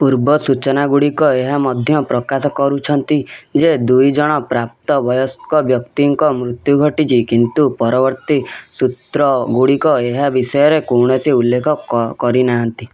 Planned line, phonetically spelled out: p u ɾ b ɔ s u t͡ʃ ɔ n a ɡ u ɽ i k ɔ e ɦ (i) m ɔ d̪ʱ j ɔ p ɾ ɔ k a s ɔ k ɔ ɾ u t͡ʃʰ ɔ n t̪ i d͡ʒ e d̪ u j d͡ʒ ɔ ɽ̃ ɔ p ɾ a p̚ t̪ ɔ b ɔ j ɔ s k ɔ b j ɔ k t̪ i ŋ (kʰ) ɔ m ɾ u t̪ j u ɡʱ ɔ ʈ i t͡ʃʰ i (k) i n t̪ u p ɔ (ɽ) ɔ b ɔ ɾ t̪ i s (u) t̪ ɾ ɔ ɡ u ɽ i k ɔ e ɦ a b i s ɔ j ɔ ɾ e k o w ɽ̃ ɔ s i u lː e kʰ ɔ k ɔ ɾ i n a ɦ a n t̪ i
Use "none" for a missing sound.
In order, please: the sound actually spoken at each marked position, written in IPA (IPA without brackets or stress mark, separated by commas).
a, k, k, ɾ, u